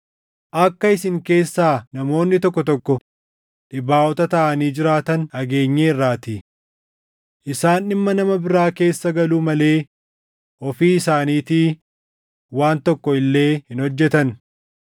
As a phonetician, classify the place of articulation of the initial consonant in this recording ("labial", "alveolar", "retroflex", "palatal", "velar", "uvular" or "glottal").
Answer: glottal